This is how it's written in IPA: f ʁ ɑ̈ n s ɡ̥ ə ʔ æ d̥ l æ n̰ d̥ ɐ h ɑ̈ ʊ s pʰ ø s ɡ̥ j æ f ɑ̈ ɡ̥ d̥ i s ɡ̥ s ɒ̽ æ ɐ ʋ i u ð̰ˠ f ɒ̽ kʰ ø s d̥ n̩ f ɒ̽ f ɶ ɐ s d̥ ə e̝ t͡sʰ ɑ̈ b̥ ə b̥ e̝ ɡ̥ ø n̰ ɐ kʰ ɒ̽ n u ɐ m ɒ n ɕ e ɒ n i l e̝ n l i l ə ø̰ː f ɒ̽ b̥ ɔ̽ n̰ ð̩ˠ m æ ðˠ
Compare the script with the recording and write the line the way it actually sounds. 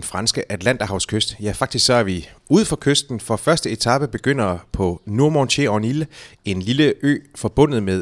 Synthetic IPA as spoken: f ʁ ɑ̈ n s ɡ̥ ə ʔ æ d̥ l æ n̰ d̥ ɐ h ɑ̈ ʊ s kʰ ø s d̥ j æ f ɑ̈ ɡ̥ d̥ i s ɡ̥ s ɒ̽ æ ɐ ʋ i u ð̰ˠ f ɒ̽ kʰ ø s d̥ n̩ f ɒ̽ f ɶ ɐ s d̥ ə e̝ t͡sʰ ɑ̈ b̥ ə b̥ e̝ ɡ̥ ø n̰ ɐ pʰ ɒ̽ n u ɐ m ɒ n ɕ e ɒ n i l e̝ n l i l ə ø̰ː f ɒ̽ b̥ ɔ̽ n̰ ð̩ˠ m e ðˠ